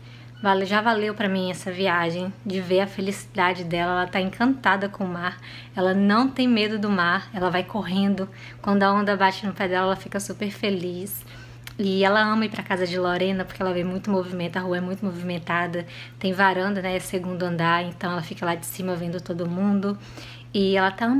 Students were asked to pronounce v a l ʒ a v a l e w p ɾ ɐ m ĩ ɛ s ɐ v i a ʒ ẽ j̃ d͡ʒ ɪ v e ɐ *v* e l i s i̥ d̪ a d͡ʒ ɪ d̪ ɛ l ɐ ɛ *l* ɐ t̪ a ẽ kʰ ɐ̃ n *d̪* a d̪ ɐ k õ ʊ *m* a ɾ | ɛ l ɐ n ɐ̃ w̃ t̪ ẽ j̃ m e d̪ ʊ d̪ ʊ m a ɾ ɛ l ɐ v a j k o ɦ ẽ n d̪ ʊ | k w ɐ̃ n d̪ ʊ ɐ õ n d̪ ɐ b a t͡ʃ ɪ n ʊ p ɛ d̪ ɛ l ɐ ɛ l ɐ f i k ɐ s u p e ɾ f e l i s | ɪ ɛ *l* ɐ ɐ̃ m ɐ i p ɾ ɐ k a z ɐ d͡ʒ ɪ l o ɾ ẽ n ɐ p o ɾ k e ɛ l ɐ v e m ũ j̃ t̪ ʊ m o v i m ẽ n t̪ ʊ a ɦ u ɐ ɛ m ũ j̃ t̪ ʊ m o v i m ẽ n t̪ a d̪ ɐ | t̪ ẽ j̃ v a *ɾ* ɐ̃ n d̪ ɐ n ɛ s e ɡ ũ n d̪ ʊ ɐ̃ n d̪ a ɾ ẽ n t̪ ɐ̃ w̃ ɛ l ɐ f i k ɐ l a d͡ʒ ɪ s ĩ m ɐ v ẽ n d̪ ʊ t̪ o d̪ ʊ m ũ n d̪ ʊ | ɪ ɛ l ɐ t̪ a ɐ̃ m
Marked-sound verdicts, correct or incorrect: incorrect: f, correct, incorrect: t̪, correct, correct, correct

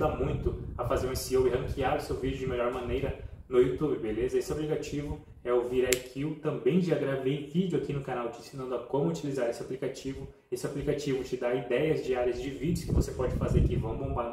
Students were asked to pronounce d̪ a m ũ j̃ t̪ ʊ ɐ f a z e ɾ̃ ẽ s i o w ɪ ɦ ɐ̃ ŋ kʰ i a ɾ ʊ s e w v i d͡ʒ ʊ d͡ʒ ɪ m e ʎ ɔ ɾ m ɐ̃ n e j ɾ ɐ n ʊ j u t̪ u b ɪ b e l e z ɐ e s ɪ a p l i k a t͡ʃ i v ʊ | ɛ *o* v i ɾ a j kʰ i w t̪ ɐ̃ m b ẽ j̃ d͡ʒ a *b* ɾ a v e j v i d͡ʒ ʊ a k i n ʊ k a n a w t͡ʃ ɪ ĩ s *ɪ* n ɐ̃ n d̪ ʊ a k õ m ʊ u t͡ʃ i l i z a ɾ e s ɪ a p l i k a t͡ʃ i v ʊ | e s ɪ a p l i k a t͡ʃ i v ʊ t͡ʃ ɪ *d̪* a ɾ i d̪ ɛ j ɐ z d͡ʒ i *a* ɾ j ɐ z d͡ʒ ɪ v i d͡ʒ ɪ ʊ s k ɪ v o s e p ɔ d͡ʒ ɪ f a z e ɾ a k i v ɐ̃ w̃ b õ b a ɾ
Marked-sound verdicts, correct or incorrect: correct, incorrect: ɡ, incorrect: i, correct, correct

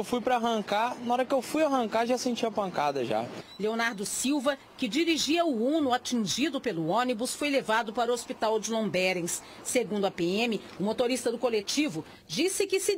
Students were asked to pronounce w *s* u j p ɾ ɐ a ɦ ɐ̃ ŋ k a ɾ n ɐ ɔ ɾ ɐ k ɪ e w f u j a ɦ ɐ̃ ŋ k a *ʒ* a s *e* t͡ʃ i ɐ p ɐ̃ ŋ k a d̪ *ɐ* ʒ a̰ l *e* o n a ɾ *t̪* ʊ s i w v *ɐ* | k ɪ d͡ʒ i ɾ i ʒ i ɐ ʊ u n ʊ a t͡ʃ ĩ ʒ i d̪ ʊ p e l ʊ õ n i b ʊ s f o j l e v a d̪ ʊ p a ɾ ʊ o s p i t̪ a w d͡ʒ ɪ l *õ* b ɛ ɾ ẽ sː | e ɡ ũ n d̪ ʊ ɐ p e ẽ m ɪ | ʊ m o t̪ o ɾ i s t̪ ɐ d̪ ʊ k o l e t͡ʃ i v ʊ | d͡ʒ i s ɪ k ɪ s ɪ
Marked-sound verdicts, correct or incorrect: incorrect: f, correct, incorrect: ẽ, correct, correct, incorrect: d̪, correct, correct

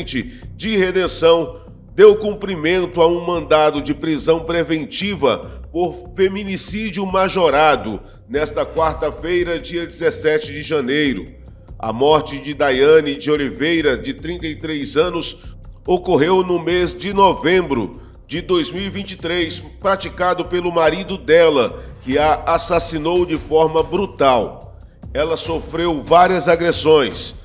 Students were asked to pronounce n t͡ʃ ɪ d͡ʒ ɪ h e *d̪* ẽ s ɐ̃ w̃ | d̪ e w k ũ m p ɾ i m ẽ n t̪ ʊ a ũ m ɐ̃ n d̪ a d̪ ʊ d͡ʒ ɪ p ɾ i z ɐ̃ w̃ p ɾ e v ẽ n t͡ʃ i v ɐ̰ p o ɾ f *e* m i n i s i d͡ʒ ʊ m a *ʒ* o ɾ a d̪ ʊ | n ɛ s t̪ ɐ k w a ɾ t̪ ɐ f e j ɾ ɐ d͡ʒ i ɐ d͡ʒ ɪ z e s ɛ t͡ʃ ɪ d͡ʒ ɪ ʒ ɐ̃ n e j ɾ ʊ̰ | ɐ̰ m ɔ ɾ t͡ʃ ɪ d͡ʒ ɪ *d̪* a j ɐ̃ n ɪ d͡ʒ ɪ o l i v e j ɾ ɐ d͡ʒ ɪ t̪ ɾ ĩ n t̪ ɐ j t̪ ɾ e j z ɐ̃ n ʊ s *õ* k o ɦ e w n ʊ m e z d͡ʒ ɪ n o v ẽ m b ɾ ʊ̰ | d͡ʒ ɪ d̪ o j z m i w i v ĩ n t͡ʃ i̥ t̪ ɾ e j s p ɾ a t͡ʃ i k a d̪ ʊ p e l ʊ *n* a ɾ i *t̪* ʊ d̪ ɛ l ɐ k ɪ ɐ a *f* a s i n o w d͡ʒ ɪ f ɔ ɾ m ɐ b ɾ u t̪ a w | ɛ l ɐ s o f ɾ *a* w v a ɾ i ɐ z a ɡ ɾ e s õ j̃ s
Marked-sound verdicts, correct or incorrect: correct, correct, correct, correct, incorrect: o, incorrect: m, incorrect: d̪, incorrect: s, incorrect: e

